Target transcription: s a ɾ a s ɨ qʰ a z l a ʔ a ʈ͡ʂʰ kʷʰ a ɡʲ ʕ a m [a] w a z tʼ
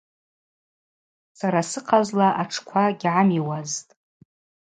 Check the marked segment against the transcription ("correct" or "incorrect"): incorrect